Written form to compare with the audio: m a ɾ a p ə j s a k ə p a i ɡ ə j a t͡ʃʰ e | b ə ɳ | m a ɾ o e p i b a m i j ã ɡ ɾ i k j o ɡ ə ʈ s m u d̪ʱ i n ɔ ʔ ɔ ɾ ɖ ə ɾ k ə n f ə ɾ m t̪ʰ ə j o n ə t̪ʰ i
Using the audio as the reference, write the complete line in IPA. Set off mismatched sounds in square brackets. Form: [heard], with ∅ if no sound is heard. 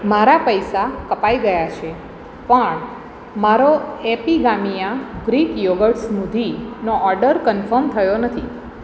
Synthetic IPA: m a ɾ a p ə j s a k ə p a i ɡ ə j a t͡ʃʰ e | [p] ə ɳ | m a ɾ o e p i [ɡ] a m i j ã ɡ ɾ i k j o ɡ ə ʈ s m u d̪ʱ i n [o] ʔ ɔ ɾ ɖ ə ɾ k ə n f ə ɾ m t̪ʰ ə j o n ə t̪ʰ i